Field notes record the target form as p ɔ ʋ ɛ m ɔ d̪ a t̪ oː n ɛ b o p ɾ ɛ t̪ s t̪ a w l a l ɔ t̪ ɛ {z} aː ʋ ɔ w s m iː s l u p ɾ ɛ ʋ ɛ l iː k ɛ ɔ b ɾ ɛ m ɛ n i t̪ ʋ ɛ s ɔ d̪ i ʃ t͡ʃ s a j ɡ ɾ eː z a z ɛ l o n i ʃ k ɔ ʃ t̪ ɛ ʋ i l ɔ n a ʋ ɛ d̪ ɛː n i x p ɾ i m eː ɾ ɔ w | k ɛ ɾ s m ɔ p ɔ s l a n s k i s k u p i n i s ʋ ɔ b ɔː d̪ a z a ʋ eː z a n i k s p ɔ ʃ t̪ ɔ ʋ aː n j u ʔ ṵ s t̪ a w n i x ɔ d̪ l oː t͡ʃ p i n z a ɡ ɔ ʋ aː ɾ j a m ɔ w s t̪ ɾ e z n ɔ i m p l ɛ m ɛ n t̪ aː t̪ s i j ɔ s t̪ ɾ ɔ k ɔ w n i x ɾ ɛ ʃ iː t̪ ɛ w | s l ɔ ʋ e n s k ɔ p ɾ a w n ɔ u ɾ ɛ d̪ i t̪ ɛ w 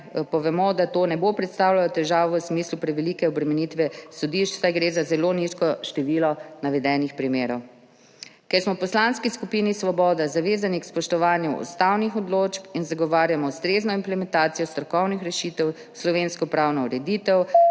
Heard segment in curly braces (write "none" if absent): ʒ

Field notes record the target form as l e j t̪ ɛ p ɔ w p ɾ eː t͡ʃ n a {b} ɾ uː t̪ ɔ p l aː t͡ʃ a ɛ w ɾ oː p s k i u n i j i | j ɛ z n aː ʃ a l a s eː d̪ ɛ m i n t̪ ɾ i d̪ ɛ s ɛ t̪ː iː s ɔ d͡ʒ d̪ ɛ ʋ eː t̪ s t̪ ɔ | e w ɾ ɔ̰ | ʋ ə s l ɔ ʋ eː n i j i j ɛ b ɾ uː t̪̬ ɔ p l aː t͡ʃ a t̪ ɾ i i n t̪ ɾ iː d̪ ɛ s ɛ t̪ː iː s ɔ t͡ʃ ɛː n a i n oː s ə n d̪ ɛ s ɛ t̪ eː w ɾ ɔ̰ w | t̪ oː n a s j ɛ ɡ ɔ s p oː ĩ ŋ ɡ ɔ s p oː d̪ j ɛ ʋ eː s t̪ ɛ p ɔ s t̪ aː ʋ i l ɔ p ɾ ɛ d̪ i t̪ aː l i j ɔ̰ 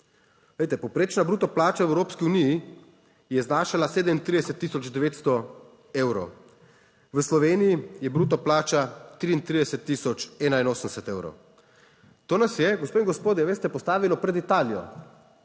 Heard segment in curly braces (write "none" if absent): b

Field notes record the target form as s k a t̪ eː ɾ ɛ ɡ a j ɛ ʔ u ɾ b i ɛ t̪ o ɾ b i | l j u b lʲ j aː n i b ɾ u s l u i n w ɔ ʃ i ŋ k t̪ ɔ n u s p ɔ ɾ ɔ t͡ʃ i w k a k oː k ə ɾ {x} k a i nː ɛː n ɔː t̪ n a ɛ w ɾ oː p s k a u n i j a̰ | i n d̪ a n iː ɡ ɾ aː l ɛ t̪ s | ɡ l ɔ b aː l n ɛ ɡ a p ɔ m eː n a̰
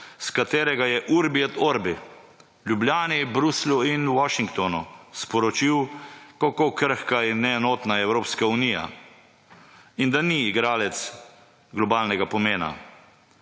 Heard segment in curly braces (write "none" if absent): x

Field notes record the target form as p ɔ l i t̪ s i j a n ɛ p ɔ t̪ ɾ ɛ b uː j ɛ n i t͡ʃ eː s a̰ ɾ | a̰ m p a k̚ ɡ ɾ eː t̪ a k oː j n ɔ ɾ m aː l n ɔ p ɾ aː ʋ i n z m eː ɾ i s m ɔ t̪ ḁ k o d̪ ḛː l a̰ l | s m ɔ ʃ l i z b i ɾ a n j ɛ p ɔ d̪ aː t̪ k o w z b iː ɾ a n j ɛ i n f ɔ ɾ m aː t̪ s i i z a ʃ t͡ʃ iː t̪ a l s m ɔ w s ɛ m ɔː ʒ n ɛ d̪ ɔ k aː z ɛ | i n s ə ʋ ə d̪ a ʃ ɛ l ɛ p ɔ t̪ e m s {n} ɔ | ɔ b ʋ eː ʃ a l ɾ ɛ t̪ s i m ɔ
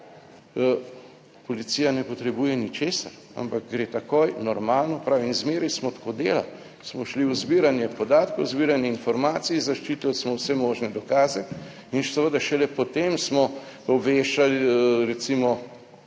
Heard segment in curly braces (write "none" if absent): m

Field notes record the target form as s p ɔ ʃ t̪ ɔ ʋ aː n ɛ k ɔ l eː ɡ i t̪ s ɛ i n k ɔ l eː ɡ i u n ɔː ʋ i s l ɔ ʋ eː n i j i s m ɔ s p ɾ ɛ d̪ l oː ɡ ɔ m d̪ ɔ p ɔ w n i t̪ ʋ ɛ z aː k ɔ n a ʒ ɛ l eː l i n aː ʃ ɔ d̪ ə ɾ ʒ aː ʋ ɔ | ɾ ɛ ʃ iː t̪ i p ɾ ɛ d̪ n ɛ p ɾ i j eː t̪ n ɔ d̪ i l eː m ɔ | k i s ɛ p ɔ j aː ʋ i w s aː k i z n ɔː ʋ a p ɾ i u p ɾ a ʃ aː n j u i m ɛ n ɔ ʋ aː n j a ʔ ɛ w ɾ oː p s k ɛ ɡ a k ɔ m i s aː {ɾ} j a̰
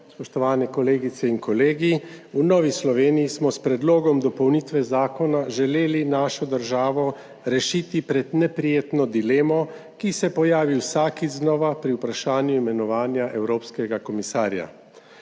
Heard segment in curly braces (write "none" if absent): ɾ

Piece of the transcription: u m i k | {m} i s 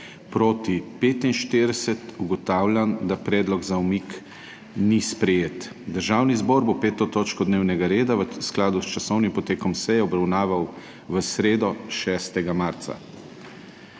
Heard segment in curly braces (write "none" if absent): n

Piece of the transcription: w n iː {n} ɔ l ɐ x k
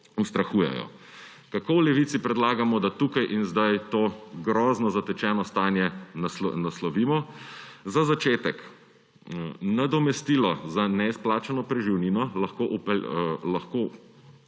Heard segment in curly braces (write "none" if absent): n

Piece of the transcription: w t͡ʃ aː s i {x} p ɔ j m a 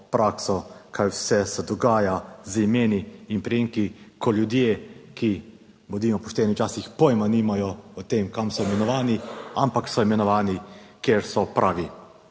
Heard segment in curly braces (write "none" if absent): x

